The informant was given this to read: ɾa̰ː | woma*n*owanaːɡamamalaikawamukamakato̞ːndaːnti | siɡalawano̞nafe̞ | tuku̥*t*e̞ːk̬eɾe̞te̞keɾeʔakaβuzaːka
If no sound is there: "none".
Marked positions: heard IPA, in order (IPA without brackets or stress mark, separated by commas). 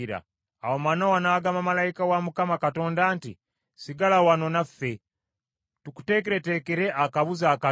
n, t